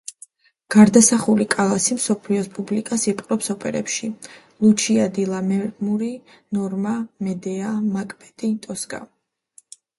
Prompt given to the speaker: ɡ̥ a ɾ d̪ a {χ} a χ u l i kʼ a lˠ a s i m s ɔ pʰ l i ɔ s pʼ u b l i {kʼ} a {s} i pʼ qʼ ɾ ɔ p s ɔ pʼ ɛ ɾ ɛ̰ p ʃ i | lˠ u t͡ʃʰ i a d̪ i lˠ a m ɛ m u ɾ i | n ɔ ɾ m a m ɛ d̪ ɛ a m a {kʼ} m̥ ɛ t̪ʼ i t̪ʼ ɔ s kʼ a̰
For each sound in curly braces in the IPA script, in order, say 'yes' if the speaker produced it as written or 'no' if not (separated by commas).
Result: no, yes, yes, yes